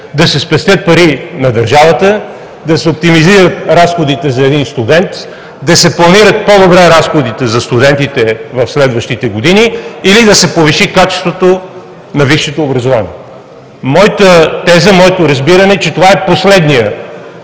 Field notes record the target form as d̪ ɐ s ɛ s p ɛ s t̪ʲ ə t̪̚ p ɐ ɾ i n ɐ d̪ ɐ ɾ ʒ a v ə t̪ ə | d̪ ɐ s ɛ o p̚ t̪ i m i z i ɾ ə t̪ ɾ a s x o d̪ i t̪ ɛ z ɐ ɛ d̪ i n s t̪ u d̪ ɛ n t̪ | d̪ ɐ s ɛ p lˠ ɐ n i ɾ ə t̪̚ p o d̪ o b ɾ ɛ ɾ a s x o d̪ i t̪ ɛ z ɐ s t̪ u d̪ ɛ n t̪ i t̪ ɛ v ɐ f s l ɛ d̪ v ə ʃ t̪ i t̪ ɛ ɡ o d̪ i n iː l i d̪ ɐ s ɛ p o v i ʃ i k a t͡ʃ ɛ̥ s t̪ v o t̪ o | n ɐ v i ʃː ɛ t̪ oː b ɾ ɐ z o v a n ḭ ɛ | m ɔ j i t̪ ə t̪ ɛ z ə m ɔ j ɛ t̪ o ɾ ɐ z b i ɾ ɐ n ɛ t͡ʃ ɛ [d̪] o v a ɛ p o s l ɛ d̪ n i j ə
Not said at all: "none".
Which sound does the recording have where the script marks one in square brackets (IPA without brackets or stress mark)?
t̪